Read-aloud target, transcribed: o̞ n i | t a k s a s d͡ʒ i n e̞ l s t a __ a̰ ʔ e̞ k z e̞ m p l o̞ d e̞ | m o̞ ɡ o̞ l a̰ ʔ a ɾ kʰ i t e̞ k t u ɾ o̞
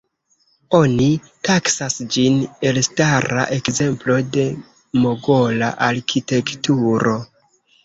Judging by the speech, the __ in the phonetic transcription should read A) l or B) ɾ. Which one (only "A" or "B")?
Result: B